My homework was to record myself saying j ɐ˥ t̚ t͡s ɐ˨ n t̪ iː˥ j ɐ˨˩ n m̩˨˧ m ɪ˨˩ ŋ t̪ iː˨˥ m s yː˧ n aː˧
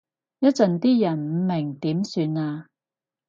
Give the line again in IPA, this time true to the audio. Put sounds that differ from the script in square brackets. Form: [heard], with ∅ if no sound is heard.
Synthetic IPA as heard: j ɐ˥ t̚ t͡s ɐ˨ n t̪ iː˥ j ɐ˨˩ n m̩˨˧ m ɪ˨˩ ŋ t̪ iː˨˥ m s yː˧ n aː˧